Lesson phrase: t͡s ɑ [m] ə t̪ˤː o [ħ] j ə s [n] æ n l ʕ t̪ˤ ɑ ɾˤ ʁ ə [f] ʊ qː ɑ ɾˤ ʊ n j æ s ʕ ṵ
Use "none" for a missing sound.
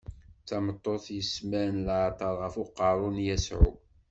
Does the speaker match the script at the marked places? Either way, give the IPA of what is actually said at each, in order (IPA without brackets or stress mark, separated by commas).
m, θ, m, f